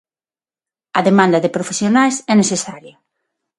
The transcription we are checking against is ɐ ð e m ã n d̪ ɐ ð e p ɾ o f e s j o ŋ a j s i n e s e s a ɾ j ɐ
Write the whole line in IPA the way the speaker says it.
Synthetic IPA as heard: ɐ ð e m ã n d̪ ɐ ð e p ɾ o f e s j o n a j s ɛ n e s e s a ɾ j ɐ